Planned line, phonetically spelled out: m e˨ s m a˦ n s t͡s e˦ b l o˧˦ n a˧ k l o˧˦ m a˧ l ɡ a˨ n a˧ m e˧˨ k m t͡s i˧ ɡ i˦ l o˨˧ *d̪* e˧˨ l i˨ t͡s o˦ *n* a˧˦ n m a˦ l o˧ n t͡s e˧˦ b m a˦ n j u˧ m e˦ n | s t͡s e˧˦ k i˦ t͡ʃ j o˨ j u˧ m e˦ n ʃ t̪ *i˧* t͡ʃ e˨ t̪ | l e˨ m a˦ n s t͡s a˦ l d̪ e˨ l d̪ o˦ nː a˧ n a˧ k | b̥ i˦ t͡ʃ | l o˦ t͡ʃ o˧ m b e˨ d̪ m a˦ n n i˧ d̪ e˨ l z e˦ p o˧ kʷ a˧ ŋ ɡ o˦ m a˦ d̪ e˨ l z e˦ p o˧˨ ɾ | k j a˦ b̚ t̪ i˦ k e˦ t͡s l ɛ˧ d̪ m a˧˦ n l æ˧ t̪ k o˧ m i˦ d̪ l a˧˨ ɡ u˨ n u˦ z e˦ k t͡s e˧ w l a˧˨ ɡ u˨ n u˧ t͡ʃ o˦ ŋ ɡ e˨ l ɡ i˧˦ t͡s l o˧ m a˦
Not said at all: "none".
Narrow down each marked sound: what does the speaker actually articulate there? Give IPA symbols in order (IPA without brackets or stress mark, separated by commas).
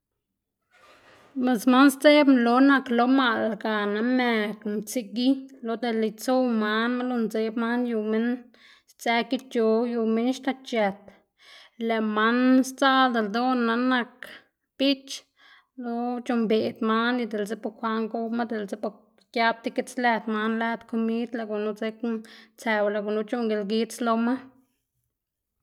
d̪, m, a˧